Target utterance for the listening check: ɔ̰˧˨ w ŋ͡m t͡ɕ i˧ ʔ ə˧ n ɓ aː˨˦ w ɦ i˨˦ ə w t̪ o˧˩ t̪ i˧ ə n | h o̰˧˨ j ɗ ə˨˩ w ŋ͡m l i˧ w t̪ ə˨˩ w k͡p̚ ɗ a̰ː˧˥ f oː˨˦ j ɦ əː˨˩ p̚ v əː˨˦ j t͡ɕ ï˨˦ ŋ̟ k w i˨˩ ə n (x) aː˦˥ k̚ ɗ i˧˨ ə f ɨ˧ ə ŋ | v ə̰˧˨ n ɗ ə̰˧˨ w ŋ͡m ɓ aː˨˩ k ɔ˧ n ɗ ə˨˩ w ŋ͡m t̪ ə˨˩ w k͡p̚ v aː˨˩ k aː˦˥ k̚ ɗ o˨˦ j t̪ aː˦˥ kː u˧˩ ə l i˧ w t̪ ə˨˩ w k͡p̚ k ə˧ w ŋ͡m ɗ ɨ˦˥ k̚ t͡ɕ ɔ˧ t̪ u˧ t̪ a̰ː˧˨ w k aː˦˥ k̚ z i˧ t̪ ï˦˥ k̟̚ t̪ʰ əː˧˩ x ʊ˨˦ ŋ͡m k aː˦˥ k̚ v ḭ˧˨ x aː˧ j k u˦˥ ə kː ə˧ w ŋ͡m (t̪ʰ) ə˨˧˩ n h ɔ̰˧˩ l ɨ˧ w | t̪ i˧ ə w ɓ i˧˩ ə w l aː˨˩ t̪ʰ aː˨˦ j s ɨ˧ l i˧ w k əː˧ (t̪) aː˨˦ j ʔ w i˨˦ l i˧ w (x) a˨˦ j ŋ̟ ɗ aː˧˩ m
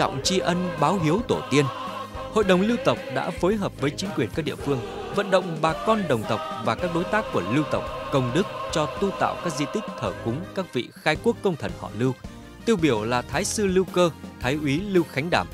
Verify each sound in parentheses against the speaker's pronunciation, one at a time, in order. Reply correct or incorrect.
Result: incorrect: k, correct, incorrect: t̪ʰ, correct

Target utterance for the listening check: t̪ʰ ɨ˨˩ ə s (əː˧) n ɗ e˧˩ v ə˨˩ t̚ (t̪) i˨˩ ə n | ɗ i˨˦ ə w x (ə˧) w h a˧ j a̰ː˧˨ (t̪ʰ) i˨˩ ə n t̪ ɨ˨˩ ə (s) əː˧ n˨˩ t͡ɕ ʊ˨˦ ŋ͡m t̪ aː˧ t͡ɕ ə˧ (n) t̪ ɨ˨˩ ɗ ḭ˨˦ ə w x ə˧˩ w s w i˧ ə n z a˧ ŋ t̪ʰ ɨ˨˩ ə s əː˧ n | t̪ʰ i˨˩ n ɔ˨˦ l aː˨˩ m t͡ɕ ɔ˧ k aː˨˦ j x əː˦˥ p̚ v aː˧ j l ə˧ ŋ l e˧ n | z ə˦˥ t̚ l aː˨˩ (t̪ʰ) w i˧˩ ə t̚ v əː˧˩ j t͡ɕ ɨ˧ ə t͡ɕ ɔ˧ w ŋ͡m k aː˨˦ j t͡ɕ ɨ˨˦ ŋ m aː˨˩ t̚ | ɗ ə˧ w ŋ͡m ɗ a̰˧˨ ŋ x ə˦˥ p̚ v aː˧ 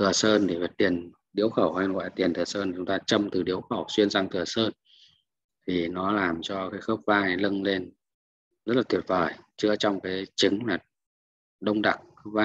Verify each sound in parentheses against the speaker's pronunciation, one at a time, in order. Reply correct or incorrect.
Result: correct, correct, incorrect: ə˧˩, incorrect: t̪, correct, incorrect: m, incorrect: t̪

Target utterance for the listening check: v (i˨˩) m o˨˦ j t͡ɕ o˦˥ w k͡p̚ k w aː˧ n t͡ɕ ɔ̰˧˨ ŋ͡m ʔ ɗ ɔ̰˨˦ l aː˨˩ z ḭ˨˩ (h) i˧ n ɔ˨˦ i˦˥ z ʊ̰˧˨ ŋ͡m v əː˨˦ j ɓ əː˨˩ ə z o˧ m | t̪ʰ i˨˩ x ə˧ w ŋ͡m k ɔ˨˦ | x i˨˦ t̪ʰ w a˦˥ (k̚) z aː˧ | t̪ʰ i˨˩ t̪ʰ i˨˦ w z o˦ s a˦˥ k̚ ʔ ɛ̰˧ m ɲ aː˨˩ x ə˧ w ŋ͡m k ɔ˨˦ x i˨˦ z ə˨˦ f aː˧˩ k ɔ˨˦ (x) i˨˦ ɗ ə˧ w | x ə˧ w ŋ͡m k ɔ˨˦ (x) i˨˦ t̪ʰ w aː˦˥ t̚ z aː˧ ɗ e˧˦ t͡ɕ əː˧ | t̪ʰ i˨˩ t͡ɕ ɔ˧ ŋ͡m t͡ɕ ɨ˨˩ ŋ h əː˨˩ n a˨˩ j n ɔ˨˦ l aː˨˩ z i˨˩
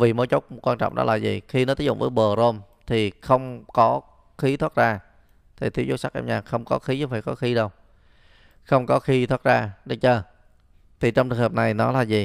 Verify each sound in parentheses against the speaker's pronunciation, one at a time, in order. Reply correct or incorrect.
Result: correct, incorrect: x, incorrect: t̚, correct, correct

